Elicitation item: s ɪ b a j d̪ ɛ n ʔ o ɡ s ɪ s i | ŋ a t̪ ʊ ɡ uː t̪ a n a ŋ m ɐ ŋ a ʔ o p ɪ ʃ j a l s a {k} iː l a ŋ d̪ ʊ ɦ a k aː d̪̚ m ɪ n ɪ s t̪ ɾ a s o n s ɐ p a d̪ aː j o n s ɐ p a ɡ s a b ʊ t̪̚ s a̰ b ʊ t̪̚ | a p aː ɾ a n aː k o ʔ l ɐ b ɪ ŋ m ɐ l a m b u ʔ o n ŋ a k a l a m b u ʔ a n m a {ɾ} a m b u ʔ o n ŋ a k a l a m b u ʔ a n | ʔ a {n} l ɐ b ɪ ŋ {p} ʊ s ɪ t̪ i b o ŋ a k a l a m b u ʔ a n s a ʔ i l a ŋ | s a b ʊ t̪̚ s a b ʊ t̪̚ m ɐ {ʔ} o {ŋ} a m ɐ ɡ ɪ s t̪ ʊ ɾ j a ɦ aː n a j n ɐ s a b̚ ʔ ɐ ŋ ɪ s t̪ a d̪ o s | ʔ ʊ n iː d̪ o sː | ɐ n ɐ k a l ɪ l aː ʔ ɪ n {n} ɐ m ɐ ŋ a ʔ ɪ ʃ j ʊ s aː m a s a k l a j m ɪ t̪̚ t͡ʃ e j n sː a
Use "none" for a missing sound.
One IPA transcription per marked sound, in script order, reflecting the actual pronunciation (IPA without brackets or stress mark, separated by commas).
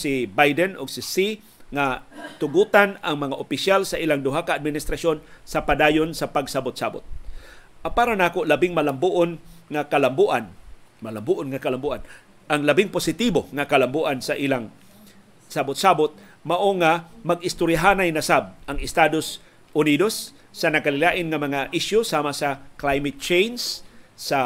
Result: ʔ, l, ŋ, p, ʔ, ŋ, ŋ